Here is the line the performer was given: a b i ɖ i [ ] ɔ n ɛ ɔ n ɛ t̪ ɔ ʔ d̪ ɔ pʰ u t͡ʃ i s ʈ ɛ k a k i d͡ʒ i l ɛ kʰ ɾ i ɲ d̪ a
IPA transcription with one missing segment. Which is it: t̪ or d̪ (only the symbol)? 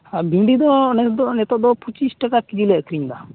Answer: d̪